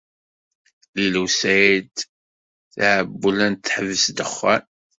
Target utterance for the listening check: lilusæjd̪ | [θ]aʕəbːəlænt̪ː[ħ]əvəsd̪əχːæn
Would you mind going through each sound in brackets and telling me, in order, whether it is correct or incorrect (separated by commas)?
correct, correct